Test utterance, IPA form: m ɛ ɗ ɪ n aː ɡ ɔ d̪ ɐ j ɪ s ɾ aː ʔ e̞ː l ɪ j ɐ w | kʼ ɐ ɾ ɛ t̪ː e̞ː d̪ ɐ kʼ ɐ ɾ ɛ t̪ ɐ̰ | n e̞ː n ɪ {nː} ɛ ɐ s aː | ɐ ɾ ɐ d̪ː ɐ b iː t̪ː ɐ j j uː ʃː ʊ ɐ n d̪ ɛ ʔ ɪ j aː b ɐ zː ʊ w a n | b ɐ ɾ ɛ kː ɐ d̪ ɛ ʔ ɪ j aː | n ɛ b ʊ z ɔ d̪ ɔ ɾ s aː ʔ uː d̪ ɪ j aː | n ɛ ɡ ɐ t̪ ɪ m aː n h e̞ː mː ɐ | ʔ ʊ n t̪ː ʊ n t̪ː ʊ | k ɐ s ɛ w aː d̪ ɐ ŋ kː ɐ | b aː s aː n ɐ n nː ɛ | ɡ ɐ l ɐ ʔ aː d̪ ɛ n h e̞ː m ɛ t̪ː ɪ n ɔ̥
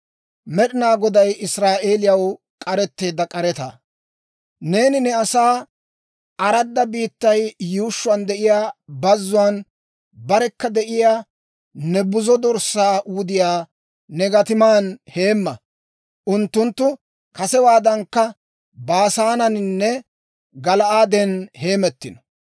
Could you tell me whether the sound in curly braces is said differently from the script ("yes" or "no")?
yes